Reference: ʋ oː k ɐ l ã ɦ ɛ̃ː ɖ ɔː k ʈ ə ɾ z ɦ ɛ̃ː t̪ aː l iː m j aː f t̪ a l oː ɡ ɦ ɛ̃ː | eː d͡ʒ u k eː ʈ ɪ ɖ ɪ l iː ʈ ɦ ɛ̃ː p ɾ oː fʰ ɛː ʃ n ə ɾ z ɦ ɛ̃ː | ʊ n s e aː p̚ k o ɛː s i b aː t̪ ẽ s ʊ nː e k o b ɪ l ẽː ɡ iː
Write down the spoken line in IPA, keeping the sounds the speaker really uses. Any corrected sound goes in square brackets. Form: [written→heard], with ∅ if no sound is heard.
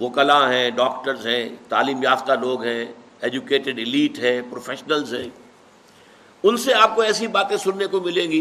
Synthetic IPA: ʋ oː k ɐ l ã ɦ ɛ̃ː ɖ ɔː k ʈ ə ɾ z ɦ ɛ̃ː t̪ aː l iː m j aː f t̪ a l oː ɡ ɦ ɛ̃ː | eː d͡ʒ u k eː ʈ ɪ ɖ ɪ l iː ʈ ɦ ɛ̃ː p ɾ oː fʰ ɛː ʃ n ə [ɾ→l] z ɦ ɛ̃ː | ʊ n s e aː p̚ k o ɛː s i b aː t̪ ẽ s ʊ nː e k o [b→m] ɪ l ẽː ɡ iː